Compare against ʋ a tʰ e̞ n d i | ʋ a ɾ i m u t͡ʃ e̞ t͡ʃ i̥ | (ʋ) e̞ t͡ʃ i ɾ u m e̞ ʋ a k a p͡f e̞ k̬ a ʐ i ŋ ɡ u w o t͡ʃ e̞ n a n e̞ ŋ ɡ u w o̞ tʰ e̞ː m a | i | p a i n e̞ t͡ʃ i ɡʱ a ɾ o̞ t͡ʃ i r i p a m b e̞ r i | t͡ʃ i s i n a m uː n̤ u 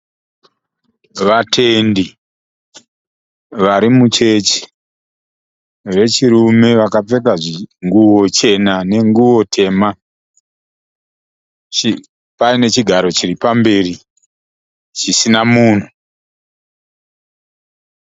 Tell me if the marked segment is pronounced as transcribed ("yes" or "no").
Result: yes